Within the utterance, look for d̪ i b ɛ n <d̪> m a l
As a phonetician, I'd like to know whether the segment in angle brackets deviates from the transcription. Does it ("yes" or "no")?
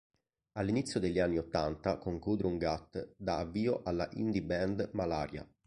no